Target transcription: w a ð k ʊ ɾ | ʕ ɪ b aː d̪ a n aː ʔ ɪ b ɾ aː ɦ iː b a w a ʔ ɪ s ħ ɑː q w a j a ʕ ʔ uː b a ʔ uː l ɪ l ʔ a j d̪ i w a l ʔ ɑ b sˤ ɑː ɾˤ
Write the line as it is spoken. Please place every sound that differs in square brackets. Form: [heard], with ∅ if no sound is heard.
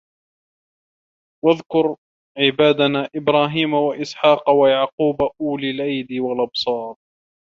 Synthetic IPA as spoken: w a ð k ʊ ɾ | ʕ ɪ b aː d̪ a n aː ʔ ɪ b ɾ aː ɦ iː [m] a w a ʔ ɪ s ħ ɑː q w a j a ʕ [q] uː b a ʔ uː l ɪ l ʔ a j d̪ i w a l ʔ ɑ b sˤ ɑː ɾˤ